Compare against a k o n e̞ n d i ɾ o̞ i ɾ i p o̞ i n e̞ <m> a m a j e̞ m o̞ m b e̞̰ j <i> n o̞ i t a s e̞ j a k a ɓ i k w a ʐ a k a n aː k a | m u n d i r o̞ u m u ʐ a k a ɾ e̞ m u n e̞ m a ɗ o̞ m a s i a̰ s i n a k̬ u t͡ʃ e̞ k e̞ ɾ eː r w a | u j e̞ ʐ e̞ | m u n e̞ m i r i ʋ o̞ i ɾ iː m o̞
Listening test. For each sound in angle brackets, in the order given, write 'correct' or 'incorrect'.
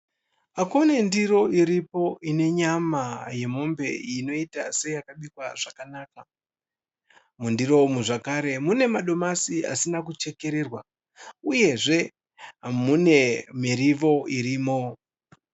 incorrect, correct

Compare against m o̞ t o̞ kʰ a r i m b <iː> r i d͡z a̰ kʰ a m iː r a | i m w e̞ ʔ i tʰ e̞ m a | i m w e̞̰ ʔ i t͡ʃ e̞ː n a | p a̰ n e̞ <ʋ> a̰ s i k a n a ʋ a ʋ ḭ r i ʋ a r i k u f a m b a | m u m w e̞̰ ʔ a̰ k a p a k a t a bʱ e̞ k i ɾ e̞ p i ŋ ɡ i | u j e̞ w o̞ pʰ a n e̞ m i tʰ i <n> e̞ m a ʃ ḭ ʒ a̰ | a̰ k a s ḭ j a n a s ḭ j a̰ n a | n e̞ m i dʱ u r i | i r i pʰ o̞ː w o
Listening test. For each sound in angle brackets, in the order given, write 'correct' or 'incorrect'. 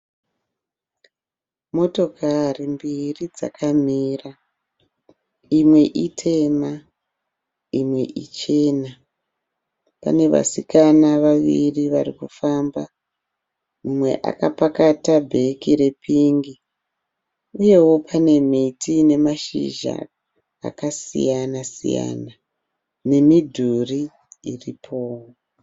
incorrect, correct, correct

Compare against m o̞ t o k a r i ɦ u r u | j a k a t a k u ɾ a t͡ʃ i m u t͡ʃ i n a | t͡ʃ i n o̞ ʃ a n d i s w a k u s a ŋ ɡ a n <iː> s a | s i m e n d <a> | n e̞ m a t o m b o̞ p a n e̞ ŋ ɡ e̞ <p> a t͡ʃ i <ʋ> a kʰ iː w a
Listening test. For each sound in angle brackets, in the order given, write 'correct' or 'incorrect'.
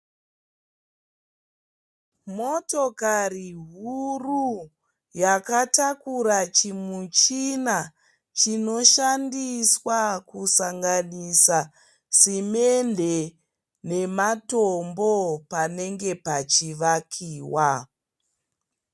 incorrect, incorrect, correct, correct

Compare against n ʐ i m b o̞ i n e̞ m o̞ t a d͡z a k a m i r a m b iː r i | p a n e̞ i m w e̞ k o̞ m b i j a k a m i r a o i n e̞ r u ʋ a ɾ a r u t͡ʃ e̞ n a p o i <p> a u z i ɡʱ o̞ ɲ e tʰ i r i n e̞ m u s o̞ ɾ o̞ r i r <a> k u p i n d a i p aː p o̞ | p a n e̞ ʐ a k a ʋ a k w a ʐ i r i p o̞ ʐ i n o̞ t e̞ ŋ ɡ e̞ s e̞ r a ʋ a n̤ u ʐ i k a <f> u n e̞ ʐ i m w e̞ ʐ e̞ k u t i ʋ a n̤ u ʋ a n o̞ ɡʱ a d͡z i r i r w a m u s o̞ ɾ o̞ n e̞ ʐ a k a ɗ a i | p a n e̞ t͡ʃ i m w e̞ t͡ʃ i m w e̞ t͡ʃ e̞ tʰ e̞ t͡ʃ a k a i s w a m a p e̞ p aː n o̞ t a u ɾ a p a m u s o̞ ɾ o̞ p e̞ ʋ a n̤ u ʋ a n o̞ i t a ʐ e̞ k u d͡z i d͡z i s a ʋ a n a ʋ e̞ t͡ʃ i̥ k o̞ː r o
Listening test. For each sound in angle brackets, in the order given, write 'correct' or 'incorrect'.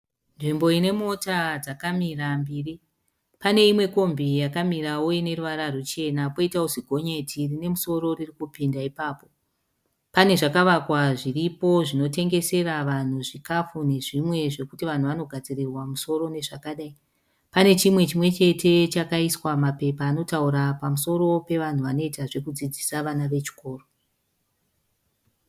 incorrect, incorrect, correct

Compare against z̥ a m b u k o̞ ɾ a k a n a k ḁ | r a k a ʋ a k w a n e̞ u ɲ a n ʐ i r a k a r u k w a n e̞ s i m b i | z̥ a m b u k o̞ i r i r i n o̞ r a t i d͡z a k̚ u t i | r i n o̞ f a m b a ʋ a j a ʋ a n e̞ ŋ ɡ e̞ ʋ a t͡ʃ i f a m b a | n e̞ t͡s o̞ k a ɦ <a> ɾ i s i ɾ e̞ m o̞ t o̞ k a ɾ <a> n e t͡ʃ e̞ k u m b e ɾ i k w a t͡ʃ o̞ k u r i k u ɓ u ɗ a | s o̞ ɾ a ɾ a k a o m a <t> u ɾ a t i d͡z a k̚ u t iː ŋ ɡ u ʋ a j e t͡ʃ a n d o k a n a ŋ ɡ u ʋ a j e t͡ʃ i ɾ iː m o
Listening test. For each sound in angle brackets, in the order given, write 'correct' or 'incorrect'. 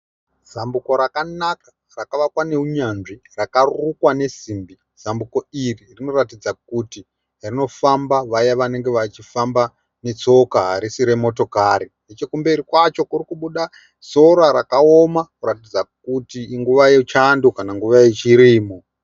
correct, incorrect, incorrect

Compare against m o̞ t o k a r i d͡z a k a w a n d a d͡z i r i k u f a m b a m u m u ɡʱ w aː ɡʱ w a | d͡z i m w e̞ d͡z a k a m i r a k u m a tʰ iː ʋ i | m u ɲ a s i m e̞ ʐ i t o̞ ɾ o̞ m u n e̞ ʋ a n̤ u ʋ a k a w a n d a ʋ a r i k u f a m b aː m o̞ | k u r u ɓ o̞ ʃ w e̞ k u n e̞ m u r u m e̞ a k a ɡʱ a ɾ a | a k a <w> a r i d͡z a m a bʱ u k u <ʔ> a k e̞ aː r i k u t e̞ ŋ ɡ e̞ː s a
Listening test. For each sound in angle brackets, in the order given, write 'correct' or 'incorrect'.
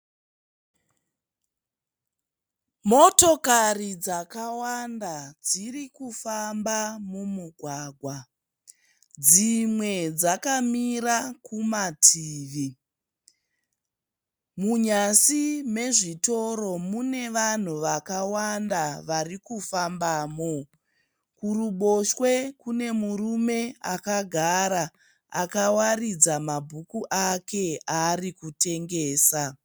correct, correct

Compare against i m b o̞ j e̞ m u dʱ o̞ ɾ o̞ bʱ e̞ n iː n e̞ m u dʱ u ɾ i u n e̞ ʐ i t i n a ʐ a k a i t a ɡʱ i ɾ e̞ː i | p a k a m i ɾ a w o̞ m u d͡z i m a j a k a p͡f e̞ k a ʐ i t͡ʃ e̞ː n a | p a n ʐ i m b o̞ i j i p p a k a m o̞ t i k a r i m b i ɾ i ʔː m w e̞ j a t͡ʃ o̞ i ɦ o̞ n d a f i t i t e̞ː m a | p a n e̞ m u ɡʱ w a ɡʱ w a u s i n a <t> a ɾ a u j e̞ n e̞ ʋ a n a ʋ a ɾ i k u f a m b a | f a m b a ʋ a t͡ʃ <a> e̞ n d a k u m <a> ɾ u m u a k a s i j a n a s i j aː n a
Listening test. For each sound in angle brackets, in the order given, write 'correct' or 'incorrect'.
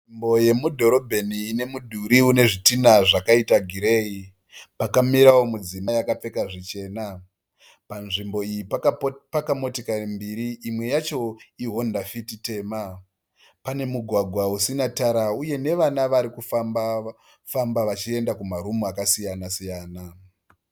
correct, incorrect, correct

